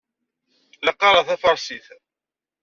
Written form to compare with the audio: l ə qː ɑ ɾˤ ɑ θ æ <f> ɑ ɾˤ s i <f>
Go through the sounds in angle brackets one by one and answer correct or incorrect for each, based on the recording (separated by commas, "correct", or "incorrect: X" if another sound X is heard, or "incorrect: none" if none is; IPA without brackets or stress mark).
correct, incorrect: θ